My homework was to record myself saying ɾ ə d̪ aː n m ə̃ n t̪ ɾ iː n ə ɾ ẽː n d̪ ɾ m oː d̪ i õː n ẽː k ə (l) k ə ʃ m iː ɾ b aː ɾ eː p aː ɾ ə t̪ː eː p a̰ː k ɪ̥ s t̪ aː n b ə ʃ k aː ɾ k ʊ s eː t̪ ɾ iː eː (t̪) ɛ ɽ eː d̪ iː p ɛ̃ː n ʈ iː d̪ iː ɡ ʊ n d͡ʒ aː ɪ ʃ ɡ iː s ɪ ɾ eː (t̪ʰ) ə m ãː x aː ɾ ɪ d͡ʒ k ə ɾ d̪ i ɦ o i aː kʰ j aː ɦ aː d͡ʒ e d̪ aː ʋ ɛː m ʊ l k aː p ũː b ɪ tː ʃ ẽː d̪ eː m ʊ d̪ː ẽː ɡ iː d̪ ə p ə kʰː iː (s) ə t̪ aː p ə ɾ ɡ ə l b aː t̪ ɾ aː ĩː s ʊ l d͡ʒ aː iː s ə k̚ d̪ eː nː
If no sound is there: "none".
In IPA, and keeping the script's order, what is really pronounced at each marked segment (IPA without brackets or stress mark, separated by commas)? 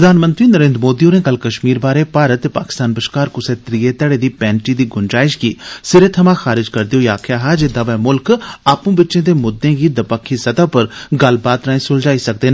l, t̪, t̪ʰ, s